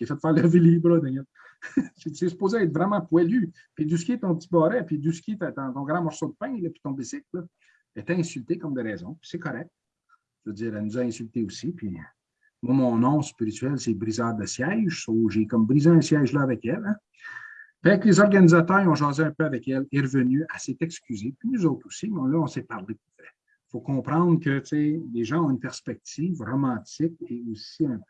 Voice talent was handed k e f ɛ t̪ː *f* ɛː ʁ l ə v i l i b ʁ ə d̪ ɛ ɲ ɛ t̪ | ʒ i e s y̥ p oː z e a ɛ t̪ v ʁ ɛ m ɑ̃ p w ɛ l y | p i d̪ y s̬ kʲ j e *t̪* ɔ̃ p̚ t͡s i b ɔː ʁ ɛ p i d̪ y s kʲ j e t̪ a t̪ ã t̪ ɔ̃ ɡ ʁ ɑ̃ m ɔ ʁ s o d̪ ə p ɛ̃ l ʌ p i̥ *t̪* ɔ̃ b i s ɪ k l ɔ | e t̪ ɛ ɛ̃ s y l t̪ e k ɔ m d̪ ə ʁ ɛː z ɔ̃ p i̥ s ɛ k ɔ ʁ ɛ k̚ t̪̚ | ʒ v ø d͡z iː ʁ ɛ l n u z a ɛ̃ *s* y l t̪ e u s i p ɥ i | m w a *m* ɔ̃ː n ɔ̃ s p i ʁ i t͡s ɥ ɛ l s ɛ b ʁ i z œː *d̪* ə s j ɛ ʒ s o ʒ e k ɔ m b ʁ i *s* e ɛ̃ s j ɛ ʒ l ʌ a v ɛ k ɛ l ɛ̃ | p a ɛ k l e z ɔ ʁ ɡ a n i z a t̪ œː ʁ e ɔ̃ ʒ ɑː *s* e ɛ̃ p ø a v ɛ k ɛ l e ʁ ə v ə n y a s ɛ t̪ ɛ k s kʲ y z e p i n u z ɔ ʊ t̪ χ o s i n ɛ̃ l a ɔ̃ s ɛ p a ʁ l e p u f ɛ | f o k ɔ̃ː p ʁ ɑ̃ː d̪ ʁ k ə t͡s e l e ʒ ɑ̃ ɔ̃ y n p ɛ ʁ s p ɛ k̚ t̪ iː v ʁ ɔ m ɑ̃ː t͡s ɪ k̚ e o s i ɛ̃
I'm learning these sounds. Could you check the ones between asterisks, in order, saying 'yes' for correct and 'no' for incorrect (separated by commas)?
yes, yes, yes, yes, yes, yes, no, no